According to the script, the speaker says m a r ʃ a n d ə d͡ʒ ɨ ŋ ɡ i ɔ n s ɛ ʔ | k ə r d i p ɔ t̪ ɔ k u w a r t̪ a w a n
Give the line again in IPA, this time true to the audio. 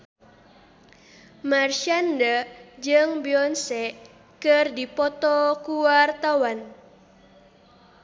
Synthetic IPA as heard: m a r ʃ a n d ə d͡ʒ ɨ ŋ b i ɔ n s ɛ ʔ | k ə r d i p ɔ t̪ ɔ k u w a r t̪ a w a n